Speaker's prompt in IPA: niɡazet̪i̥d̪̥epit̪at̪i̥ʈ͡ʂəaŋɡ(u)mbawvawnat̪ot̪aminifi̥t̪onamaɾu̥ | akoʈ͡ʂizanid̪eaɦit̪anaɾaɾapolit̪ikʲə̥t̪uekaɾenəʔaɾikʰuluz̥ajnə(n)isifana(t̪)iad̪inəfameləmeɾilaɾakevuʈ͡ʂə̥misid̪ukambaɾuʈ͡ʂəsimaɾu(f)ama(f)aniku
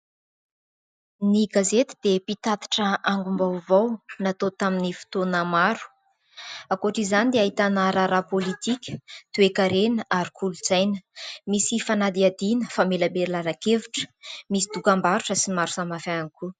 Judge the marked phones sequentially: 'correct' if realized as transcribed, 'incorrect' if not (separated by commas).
correct, incorrect, incorrect, incorrect, correct